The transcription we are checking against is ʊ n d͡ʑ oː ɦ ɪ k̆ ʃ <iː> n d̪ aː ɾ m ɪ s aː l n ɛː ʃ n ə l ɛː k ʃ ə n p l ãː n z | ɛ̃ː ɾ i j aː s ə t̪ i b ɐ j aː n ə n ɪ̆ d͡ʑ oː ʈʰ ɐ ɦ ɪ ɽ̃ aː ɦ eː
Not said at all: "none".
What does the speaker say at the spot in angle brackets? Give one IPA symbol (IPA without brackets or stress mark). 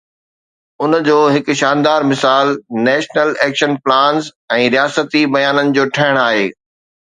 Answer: aː